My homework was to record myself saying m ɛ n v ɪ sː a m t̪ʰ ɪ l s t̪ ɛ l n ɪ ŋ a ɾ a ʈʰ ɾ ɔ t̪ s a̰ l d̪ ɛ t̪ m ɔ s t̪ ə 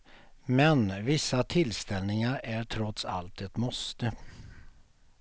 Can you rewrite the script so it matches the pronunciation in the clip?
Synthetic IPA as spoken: m ɛ n v ɪ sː a t̪ʰ ɪ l s t̪ ɛ l n ɪ ŋ a ɾ æ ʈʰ ɾ ɔ t̪ s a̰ l t̪ ɛ t̪ m ɔ s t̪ ə